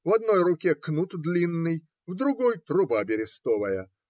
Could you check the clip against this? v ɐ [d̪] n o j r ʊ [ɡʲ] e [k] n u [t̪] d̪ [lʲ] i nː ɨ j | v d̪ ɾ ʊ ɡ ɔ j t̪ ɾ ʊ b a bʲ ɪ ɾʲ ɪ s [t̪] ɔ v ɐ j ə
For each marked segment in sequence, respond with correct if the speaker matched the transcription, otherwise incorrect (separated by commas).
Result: correct, incorrect, correct, correct, correct, correct